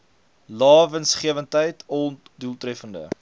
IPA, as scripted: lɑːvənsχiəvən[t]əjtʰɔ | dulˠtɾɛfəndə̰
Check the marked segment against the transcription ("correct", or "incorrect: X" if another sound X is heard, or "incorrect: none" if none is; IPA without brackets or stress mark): correct